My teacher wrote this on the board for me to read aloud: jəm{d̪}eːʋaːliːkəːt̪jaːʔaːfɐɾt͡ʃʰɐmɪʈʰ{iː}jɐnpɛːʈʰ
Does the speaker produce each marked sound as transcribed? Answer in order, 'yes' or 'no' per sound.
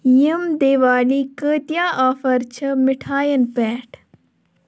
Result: yes, no

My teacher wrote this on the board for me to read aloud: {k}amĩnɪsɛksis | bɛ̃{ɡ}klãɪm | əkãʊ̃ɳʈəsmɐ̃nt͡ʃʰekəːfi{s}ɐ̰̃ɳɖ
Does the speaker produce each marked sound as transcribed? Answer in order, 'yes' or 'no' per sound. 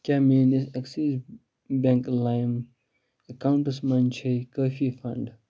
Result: yes, no, no

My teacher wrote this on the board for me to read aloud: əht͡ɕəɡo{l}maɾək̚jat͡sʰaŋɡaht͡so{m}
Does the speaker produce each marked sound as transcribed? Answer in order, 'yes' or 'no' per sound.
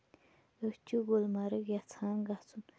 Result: yes, no

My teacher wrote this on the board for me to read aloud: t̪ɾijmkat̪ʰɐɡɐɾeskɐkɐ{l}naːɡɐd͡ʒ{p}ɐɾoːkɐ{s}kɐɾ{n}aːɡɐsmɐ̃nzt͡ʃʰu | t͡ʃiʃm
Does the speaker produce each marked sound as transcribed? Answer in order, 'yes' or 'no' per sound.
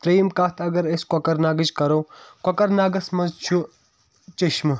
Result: no, no, no, yes

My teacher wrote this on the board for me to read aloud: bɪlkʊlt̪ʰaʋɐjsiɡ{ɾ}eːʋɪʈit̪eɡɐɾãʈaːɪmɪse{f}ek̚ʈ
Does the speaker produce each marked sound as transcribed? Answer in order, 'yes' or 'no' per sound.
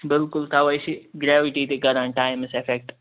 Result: yes, yes

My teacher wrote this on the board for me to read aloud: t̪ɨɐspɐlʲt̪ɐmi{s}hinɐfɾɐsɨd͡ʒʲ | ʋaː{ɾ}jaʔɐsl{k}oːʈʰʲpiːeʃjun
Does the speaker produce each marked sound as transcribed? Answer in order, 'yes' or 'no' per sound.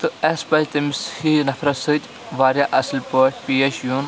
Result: yes, yes, no

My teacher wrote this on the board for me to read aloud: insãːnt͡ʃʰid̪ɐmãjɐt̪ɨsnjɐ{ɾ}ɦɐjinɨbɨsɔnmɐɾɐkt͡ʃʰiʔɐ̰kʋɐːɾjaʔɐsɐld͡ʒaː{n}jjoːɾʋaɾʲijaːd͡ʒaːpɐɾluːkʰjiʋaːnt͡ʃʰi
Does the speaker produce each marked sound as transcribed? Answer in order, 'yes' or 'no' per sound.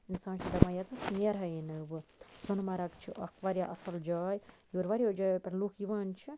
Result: yes, no

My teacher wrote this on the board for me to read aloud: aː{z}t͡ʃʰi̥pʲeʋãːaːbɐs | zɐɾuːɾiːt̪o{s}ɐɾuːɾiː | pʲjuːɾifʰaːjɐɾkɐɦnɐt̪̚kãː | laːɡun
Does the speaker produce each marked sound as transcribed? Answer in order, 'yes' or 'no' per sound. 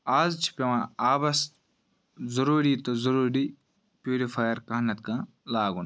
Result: yes, no

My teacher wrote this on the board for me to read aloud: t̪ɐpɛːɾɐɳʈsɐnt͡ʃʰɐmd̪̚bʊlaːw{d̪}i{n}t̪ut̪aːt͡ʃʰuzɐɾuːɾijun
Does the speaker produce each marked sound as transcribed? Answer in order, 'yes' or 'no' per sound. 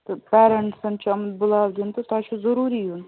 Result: yes, yes

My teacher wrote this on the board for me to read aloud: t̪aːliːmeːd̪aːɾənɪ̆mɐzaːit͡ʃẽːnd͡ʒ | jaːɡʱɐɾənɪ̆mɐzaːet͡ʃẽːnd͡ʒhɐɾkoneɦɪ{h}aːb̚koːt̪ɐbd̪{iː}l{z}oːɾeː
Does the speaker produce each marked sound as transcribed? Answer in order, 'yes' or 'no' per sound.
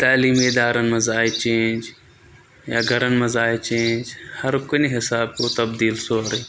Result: no, yes, no

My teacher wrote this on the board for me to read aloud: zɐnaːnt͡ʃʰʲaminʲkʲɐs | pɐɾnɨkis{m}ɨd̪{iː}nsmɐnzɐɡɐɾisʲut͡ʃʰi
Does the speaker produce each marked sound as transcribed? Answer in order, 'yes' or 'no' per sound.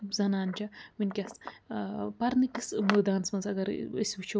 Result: yes, no

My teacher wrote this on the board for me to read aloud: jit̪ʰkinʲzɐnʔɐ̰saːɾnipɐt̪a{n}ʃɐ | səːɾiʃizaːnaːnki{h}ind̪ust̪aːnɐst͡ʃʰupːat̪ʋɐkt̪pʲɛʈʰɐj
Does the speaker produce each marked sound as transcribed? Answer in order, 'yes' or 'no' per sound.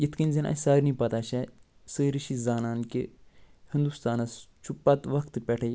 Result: no, yes

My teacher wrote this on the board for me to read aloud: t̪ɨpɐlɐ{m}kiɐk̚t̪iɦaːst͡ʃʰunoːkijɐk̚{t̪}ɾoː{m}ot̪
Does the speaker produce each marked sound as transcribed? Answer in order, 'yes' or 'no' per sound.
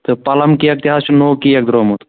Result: yes, no, yes

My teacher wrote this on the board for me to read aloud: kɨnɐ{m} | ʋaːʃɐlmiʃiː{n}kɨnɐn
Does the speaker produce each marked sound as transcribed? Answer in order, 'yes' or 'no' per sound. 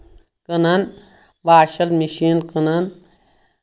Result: no, yes

